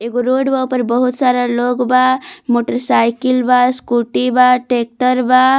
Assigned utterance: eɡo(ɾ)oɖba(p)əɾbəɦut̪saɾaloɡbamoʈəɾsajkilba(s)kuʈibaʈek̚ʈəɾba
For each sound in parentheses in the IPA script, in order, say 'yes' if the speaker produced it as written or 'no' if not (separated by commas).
yes, yes, yes